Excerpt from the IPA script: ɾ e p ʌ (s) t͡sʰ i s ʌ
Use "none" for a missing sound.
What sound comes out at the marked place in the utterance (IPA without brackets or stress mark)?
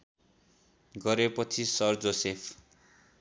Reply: none